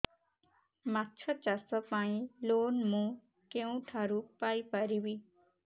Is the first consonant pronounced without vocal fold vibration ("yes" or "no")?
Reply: no